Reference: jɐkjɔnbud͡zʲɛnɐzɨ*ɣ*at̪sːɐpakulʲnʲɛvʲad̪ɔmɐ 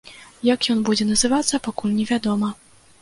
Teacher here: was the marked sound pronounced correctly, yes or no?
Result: no